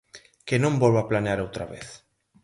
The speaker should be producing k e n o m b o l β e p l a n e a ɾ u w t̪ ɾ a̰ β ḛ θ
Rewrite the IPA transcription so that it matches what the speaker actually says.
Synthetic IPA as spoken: k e n õ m b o l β a p l a n e a ɾ o w t̪ ɾ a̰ β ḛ θ